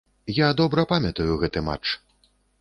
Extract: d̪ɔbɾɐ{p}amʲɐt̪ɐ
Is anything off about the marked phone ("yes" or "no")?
no